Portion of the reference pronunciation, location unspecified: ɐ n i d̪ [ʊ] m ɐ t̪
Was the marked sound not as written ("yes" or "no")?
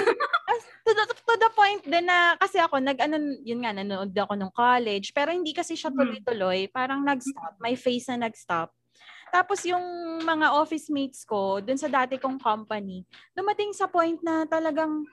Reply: no